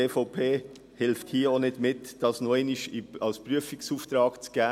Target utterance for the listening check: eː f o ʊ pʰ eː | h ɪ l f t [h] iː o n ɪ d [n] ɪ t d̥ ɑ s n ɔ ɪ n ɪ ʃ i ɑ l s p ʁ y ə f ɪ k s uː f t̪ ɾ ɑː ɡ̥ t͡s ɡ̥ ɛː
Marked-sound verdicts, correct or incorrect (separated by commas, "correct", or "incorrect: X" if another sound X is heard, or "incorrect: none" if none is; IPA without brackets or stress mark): correct, incorrect: m